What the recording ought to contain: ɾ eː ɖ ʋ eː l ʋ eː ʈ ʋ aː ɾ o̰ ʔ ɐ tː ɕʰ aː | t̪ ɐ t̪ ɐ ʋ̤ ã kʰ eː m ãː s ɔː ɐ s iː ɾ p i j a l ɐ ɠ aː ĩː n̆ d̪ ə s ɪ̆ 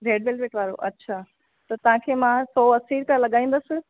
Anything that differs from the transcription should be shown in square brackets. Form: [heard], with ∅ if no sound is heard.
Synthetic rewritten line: ɾ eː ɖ ʋ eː l ʋ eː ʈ ʋ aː ɾ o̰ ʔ ɐ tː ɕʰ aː | t̪ ɐ t̪ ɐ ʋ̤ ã kʰ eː m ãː s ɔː ɐ s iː ɾ p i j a l ɐ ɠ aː ĩː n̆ d̪ ə s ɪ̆